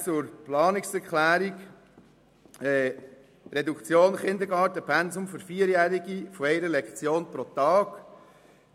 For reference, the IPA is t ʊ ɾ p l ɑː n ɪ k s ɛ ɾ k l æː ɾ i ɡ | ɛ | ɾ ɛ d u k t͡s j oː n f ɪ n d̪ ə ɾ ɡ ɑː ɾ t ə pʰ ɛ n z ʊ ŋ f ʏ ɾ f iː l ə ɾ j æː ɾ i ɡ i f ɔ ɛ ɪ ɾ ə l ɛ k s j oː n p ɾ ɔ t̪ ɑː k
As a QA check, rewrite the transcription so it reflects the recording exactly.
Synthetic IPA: t͡s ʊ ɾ p l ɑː n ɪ k s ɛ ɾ k l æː ɾ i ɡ | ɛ | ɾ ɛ d u k t͡s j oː n χ ɪ n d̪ ə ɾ ɡ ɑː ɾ t ə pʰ ɛ n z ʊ m f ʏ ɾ f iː ə ɾ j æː ɾ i ɡ i f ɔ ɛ ɪ ɾ ə l ɛ k t͡s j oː n p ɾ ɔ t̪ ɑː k